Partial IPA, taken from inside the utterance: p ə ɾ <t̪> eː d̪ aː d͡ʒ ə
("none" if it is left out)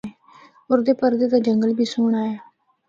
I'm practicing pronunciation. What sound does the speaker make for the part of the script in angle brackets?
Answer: d̪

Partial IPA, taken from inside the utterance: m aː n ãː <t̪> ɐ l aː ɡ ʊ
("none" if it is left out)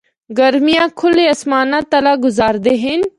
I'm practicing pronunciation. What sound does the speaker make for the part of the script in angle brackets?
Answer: t̪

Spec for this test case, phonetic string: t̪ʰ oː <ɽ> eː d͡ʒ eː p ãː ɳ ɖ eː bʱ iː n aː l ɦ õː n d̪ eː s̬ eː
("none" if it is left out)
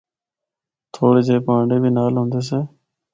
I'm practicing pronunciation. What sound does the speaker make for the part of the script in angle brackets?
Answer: ɽ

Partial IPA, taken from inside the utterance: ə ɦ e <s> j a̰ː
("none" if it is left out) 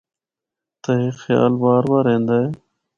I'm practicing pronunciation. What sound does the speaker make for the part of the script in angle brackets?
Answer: x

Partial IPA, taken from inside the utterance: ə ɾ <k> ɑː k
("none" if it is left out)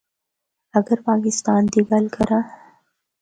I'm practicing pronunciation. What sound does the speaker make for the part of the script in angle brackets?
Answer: p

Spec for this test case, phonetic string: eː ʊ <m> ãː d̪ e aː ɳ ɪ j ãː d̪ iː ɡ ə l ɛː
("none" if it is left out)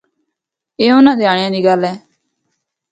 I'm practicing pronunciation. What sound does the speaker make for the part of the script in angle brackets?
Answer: n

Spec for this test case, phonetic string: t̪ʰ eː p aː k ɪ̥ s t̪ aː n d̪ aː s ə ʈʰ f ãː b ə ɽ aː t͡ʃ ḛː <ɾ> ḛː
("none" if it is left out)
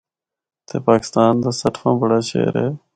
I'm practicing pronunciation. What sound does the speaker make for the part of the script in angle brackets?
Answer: ɾ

